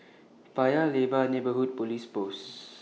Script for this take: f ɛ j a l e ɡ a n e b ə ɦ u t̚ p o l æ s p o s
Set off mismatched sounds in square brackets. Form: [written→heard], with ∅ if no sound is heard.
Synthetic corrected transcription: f [ɛ→a] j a l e [ɡ→b] a n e b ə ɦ u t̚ p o l [æ→i] s p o s

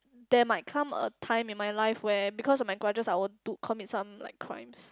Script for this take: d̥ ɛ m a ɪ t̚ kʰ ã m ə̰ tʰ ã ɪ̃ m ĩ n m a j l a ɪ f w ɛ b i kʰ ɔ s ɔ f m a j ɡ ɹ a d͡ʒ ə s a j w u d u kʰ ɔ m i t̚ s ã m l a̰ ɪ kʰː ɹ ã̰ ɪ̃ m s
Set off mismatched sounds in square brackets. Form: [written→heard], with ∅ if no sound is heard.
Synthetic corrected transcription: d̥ ɛ m a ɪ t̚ kʰ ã m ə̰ tʰ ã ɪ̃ m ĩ n m a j l a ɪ f w ɛ b i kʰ ɔ s ɔ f m a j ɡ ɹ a d͡ʒ ə s a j w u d u kʰ ɔ m i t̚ s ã m l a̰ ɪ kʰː ɹ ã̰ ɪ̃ m s

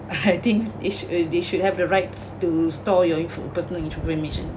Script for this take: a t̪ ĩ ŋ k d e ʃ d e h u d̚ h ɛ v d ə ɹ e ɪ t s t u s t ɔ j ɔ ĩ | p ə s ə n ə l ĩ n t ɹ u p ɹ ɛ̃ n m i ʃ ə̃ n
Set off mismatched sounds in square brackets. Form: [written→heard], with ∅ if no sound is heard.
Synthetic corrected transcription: a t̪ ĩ ŋ k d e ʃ d e [h→ʃ] u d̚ h ɛ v d ə ɹ [e→a] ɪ t s t u s t ɔ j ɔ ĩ | p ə s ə n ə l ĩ n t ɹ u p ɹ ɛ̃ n m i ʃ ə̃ n

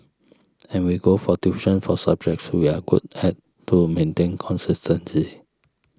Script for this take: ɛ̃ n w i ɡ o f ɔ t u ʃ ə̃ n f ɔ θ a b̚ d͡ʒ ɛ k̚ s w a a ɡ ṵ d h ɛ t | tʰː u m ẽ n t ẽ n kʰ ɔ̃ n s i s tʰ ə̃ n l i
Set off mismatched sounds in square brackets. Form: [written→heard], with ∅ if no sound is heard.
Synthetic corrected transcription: ɛ̃ n w i ɡ o f ɔ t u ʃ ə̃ n f ɔ [θ→s] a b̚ d͡ʒ ɛ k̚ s w [a→i] a ɡ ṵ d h ɛ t | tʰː u m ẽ n t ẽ n kʰ ɔ̃ n s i s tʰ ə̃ n l i

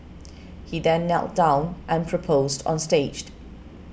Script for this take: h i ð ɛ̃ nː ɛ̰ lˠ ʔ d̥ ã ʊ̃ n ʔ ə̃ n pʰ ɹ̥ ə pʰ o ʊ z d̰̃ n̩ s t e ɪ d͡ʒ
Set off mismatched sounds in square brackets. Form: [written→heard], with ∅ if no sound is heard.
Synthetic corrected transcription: h i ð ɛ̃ nː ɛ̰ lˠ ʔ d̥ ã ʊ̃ n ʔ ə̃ n pʰ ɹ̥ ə pʰ o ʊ z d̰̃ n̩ s t e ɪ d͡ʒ

